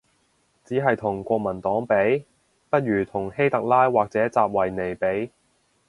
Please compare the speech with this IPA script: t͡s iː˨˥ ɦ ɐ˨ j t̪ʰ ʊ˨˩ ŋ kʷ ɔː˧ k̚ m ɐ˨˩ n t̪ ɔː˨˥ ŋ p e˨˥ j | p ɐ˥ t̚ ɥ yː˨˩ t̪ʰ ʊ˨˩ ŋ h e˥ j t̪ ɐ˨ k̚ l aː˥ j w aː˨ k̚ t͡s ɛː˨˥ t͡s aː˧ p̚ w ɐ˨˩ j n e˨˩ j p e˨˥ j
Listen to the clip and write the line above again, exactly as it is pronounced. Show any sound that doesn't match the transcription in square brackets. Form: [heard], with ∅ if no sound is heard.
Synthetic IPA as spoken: t͡s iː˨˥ ɦ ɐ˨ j t̪ʰ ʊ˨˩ ŋ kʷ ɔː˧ k̚ m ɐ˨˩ n t̪ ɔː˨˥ ŋ p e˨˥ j | p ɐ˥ t̚ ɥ yː˨˩ t̪ʰ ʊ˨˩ ŋ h e˥ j t̪ ɐ˨ k̚ l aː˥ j w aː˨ k̚ t͡s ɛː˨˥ t͡s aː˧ p̚ w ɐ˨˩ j n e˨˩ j p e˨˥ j